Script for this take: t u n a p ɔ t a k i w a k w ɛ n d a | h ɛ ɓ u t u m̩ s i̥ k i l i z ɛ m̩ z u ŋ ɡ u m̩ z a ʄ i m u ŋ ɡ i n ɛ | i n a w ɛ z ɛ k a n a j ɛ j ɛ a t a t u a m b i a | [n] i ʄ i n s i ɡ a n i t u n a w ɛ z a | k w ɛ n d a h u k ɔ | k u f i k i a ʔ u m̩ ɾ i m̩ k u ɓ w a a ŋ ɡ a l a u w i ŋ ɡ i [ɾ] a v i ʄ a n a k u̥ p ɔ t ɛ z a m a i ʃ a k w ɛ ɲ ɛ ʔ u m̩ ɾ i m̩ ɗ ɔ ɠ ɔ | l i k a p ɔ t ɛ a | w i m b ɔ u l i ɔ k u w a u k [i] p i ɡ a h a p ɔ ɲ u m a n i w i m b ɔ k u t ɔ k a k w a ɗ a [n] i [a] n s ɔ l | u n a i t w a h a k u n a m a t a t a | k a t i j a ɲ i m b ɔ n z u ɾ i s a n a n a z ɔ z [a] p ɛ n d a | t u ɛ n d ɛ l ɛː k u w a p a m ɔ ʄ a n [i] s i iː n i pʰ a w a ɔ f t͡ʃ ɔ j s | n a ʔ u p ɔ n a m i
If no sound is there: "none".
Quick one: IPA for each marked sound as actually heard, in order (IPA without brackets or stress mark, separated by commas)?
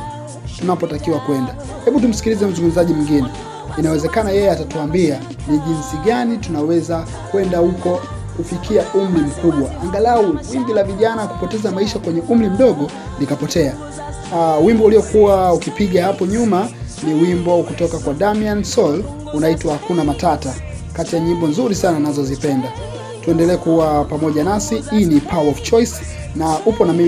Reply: n, l, i, m, a, i, a